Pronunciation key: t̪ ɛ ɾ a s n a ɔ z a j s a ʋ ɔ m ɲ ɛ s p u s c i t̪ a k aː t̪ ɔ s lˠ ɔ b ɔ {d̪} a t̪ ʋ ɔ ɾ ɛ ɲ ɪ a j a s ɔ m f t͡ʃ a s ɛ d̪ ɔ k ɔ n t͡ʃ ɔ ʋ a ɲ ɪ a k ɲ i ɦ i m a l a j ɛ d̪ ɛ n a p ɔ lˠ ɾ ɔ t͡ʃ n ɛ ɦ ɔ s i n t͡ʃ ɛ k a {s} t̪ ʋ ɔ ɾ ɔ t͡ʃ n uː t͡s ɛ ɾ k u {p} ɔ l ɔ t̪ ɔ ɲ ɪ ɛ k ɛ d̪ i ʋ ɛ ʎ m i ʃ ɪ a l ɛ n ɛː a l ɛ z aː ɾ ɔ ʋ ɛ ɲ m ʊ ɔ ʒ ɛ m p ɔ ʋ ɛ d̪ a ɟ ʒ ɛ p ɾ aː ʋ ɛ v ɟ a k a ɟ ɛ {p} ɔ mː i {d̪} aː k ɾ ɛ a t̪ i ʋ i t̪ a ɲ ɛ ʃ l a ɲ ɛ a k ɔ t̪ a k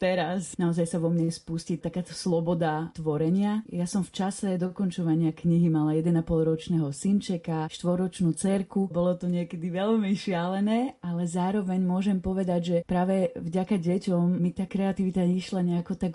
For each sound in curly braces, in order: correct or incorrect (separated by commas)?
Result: correct, incorrect, incorrect, incorrect, incorrect